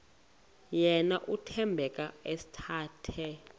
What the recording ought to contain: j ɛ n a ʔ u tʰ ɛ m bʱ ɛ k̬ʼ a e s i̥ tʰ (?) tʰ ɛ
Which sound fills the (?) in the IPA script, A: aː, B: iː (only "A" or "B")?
A